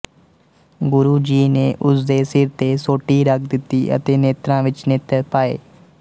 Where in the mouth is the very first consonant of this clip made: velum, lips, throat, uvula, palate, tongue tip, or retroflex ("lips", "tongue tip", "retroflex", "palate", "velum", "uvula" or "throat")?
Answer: velum